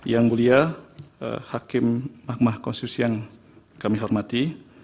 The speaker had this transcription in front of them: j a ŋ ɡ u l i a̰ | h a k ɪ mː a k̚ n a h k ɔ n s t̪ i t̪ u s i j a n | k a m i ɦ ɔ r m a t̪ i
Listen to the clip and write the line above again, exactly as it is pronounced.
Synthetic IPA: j a ŋ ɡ u l i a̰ | h a k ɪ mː a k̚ m a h k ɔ n s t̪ i t̪ u s i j a ŋ | k a m i ɦ ɔ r m a t̪ i